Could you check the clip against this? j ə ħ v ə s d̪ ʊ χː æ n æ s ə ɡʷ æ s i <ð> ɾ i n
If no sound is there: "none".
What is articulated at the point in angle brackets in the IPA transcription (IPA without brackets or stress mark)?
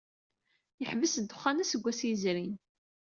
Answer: z